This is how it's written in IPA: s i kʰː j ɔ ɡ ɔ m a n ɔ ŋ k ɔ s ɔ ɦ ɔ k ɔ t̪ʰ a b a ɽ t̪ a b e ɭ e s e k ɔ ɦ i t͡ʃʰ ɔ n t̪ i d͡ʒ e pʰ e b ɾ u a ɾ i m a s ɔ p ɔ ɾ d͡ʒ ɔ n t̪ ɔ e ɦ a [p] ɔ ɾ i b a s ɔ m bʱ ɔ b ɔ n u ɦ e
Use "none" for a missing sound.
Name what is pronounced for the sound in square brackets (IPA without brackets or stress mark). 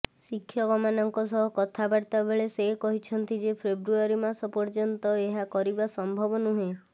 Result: k